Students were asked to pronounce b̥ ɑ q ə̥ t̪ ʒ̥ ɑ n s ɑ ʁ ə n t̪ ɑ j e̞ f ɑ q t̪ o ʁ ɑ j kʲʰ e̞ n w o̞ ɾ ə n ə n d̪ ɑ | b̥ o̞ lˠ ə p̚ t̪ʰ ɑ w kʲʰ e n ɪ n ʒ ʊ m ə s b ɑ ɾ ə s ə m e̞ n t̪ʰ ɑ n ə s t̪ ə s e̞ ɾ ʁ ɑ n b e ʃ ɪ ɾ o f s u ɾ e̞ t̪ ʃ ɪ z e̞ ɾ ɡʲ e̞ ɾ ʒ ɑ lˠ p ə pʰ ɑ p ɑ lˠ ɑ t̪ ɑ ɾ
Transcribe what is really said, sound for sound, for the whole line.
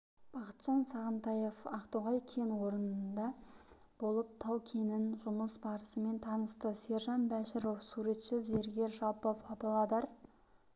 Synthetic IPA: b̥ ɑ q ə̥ t̪ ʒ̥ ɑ n s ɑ ʁ ə n t̪ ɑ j e̞ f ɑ q t̪ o ʁ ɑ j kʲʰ e̞ n w o̞ ɾ ə n ə n d̪ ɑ | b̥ o̞ lˠ ə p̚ t̪ʰ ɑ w kʲʰ e n ɪ n ʒ ʊ m ə s b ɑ ɾ ə s ə m e̞ n t̪ʰ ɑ n ə s t̪ ə s e̞ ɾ ʒ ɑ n b æ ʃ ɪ ɾ o f s u ɾ e̞ t̪ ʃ ɪ z e̞ ɾ ɡʲ e̞ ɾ ʒ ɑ lˠ p ə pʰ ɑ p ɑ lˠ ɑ d̪ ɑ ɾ

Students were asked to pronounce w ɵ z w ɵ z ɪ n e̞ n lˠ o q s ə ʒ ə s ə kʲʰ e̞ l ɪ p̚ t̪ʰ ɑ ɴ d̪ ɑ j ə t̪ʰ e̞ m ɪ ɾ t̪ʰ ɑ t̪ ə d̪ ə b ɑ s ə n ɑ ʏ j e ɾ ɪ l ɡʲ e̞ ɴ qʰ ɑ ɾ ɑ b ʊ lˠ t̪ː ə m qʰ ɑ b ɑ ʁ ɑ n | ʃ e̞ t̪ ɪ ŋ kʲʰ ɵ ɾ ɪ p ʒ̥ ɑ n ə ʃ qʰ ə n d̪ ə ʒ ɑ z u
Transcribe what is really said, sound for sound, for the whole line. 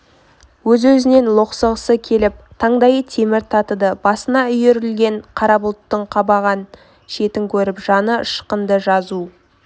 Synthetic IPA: w ɵ z w ɵ z ɪ n e̞ n lˠ o q s ə ʁ ə s ə kʲʰ e̞ l ɪ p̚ t̪ʰ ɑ ɴ d̪ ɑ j ə t̪ʰ e̞ m ɪ ɾ t̪ʰ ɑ t̪ ə d̪ ə b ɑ s ə n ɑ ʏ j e ɾ ɪ l ɡʲ e̞ ɴ qʰ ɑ ɾ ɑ b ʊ lˠ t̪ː ə ɴ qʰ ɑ b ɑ ʁ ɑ n | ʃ e̞ t̪ ɪ ŋ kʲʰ ɵ ɾ ɪ p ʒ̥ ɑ n ə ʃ q ə n d̪ ə ʒ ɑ z u

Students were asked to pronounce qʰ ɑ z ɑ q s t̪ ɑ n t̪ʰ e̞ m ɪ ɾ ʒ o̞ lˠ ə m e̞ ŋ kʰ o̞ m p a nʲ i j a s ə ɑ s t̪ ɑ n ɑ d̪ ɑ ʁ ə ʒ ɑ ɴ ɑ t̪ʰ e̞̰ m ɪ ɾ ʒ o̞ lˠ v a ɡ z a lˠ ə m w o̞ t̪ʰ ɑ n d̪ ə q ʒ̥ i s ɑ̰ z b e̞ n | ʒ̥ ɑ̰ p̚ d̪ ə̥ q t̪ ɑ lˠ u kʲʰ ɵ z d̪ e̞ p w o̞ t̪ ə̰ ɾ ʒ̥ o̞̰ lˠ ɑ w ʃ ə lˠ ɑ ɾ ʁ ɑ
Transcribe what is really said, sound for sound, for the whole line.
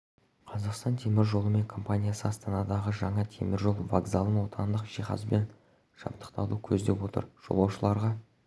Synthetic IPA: qʰ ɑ z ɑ q s t̪ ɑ n t̪ʰ e̞ m ɪ ɾ ʒ o̞ lˠ ə m e̞ ŋ kʰ o̞ m p a nʲ i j a s ə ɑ s t̪ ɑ n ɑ d̪ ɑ ʁ ə ʒ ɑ ɴ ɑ t̪ʰ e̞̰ m ɪ ɾ ʒ o̞ lˠ v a ɡ z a lˠ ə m w o̞ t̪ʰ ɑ n d̪ ə q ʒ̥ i χ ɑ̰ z b e̞ n | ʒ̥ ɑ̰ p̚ t̪ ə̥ q t̪ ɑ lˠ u kʲʰ ɵ z d̪ e̞ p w o̞ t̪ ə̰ ɾ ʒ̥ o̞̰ lˠ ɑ w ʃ ə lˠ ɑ ɾ ʁ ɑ

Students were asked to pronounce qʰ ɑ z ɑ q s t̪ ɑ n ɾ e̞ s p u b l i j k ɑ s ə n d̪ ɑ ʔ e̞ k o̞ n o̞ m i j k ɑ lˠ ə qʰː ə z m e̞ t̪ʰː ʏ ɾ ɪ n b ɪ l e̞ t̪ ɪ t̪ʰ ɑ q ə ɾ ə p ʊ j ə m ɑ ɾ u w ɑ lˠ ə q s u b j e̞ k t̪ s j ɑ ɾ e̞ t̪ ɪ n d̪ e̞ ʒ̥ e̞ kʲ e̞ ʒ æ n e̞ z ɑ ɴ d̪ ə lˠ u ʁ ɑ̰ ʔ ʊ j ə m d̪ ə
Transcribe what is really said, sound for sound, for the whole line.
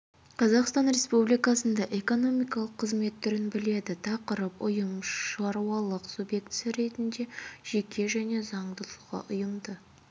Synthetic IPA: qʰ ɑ z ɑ q s t̪ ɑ n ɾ e̞ s p u b l i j k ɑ s ə n d̪ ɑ ʔ e̞ k o̞ n o̞ m i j k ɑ lˠ ə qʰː ə z m e̞ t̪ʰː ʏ ɾ ɪ n b ɪ l e̞ d̪ ɪ t̪ʰ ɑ q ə ɾ ə p ʊ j ə m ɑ ɾ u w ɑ lˠ ə q s u b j e̞ k t̪ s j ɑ ɾ e̞ t̪ ɪ n d̪ e̞ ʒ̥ e̞ kʲ e̞ ʒ æ n e̞ z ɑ ɴ d̪ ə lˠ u ʁ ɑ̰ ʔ ʊ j ə m d̪ ə

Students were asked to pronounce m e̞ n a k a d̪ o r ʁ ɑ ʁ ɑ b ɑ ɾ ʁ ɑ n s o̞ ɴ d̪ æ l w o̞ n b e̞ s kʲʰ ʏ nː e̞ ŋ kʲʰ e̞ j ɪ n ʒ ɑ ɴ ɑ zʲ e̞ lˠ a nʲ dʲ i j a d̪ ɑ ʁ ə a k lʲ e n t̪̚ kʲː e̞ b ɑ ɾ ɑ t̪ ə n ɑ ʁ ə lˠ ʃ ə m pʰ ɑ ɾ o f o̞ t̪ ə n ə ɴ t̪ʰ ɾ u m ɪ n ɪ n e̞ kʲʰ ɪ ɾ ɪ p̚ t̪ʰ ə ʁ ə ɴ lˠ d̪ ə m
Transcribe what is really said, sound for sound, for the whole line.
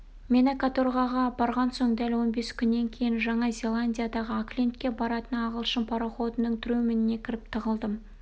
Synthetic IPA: m e̞ n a k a t̪ o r ʁ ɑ ʁ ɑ b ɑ ɾ ʁ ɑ n s o̞ ɴ d̪ æ l w o̞ n b e̞ s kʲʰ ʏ nː e̞ ŋ kʲʰ e̞ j ɪ n ʒ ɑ ɴ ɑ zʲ e̞ lˠ a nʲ dʲ i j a d̪ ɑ ʁ ə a k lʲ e n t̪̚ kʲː e̞ b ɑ ɾ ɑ t̪ ə n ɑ ʁ ə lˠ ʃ ə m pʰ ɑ ɾ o χ o̞ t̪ ə n ə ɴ t̪ʰ ɾ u m ɪ n ɪ n e̞ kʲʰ ɪ ɾ ɪ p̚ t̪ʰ ə ʁ ə lˠ d̪ ə m

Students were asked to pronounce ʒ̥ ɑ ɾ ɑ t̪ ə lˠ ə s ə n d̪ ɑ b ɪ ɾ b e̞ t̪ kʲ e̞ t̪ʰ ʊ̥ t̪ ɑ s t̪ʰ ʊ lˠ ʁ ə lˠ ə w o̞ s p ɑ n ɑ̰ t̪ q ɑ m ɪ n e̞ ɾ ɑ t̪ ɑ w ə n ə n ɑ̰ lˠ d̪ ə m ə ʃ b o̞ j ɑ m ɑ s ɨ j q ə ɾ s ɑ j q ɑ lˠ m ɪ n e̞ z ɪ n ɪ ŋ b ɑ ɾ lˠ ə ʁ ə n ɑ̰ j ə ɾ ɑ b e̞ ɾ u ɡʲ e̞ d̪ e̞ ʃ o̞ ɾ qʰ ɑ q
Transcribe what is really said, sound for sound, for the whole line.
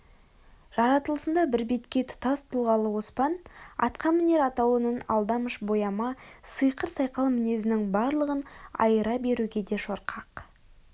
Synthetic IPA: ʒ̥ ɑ ɾ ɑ t̪ ə lˠ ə s ə n d̪ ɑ b ɪ ɾ b e̞ t̪ kʲ e̞ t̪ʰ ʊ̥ t̪ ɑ s t̪ʰ ʊ lˠ ʁ ɑ lˠ ə w o̞ s p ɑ n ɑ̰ t̪ q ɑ m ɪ n e̞ ɾ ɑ t̪ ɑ w ə n ə n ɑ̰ lˠ d̪ ɑ m ə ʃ b o̞ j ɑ m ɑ s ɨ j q ə ɾ s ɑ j q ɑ lˠ m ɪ n e̞ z ɪ n ɪ ŋ b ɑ ɾ lˠ ə ʁ ə n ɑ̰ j ə ɾ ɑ b e̞ ɾ u ɡʲ e̞ d̪ e̞ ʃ o̞ ɾ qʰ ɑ q

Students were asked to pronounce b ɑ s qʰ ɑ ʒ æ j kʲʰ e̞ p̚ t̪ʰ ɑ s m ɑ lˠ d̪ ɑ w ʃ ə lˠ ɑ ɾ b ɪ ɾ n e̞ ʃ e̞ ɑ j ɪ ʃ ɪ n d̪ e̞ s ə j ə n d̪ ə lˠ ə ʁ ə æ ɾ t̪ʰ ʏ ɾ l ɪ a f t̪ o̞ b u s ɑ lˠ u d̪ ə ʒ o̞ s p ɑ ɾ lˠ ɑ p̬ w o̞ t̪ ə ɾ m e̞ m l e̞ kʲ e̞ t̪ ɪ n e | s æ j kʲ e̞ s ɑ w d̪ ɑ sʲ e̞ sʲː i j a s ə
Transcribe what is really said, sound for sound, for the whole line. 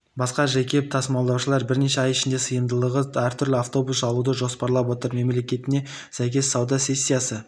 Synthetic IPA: b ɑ s q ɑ ʒ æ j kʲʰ e̞ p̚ t̪ʰ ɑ s m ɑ lˠ d̪ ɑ w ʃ ə lˠ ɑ ɾ b ɪ ɾ n e̞ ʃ e̞ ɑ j ɪ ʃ ɪ n d̪ e̞ s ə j ə n d̪ ə lˠ ə ʁ ə æ ɾ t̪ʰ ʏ ɾ l ɪ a f t̪ o̞ b u s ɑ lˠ u d̪ ə ʒ o̞ s p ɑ ɾ lˠ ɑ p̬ w o̞ t̪ ə ɾ m e̞ m l e̞ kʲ e̞ t̪ ɪ n e | s æ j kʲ e̞ s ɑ w d̪ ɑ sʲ e̞ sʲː i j a s ə

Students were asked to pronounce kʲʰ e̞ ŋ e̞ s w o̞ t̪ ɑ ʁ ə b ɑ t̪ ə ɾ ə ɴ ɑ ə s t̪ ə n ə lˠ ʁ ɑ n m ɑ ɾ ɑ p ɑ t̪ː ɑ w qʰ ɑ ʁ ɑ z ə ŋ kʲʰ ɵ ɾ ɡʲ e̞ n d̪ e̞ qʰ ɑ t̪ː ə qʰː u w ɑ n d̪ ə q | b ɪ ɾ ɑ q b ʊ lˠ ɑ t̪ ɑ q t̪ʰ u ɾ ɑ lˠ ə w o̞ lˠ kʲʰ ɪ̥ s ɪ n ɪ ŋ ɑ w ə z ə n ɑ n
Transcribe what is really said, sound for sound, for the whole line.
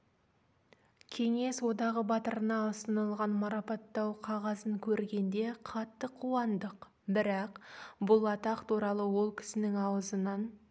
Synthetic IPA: kʲʰ e̞ ŋ e̞ s w o̞ d̪ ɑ ʁ ə b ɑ t̪ ə ɾ ə n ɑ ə s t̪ ə n ə lˠ ʁ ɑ n m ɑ ɾ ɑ p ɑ t̪ː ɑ w qʰ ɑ ʁ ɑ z ə ŋ kʲʰ ɵ ɾ ɡʲ e̞ n d̪ e̞ qʰ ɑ t̪ː ə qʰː u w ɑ n d̪ ə q | b ɪ ɾ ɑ q b ʊ lˠ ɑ t̪ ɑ q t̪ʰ u ɾ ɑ lˠ ə w o̞ lˠ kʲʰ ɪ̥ s ɪ n ɪ ŋ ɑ w ə z ə n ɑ n

